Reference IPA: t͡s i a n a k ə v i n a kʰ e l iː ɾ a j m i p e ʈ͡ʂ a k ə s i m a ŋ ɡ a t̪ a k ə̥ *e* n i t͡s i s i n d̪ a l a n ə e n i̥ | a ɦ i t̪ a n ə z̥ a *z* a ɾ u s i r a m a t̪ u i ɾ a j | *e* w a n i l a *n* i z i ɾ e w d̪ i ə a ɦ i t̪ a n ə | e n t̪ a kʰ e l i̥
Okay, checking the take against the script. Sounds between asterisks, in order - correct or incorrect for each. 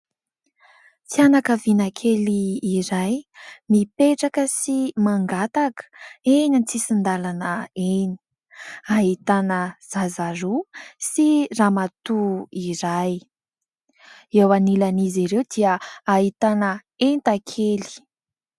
correct, correct, correct, correct

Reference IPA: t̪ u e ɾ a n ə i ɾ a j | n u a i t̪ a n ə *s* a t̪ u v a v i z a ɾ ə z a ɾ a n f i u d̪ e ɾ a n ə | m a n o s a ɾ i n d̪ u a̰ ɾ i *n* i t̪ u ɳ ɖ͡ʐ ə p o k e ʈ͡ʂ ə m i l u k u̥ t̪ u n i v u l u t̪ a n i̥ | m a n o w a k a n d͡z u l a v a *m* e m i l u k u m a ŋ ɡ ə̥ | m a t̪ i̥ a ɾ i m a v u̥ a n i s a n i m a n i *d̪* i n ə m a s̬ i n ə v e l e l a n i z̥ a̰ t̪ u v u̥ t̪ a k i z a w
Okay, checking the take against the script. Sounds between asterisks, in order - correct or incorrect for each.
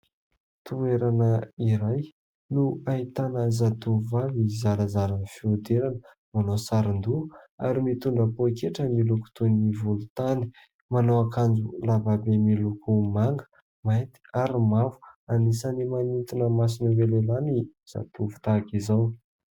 incorrect: z, incorrect: m, incorrect: b, incorrect: t̪

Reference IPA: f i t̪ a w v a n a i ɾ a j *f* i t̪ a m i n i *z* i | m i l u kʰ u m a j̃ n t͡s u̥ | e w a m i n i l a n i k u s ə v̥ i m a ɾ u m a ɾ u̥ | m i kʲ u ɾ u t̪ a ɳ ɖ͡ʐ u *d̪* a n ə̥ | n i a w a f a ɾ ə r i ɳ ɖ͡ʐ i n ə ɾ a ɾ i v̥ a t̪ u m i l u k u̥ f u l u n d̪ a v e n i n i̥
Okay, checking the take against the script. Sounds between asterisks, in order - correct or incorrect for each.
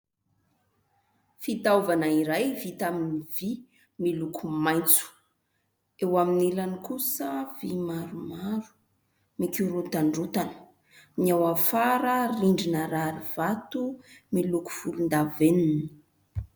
incorrect: v, incorrect: v, incorrect: t̪

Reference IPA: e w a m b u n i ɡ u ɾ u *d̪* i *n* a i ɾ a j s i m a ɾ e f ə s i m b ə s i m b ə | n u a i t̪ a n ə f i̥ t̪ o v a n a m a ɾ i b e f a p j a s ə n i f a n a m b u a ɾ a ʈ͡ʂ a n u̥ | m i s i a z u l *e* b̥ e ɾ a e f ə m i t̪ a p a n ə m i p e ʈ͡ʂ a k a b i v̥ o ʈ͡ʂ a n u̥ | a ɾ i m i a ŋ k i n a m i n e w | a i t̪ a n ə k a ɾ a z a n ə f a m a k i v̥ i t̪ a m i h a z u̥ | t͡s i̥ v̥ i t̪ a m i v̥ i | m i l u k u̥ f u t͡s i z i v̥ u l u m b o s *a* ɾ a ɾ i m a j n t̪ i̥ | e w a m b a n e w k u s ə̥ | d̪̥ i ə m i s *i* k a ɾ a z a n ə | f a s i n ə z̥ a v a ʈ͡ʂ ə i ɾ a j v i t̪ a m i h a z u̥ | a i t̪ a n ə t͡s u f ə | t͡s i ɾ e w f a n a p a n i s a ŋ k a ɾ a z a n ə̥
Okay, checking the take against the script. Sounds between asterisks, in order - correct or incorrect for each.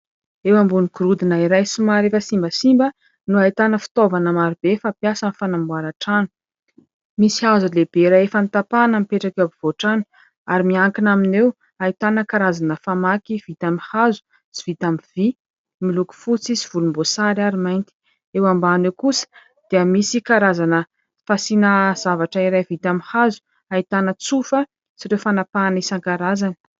correct, correct, correct, correct, correct

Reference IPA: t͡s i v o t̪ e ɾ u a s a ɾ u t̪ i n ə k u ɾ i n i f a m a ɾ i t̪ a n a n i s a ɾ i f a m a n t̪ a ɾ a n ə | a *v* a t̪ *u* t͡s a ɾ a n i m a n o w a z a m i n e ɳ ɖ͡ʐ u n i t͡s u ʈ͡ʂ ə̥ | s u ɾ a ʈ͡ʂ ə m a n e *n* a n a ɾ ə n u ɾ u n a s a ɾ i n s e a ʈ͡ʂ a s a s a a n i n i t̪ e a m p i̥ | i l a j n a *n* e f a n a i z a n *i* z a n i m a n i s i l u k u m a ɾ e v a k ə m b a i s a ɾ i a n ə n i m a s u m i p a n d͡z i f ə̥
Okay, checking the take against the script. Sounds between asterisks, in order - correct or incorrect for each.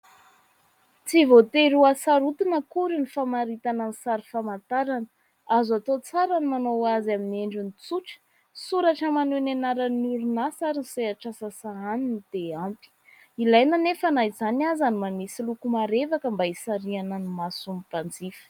incorrect: z, incorrect: o, correct, correct, incorrect: a

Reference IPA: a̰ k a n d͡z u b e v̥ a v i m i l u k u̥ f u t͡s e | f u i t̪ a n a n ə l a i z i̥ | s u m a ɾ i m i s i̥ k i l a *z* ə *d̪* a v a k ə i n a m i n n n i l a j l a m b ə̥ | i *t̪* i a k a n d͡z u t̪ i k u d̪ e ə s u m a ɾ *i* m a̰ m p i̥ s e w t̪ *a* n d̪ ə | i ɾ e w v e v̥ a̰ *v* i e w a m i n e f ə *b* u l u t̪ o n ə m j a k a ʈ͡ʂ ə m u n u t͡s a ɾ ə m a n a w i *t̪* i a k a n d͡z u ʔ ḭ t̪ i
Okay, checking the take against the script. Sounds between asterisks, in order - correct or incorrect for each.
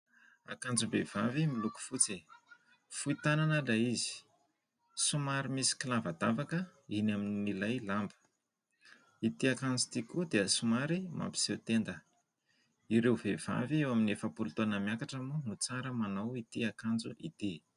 incorrect: v, correct, correct, correct, incorrect: e, correct, incorrect: p, correct

